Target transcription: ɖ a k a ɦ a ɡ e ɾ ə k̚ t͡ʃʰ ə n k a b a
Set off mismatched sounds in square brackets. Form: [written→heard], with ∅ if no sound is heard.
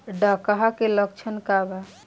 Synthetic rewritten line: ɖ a k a ɦ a [ɡ→k] e [ɾ→l] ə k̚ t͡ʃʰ ə n k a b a